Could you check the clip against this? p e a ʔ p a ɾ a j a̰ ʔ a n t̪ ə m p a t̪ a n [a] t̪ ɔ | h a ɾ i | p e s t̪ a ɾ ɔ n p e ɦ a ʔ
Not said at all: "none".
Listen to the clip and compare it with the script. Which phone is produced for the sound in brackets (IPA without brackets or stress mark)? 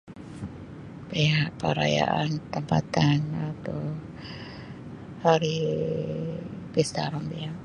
a